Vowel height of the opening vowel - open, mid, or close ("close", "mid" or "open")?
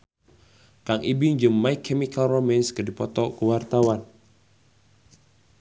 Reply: open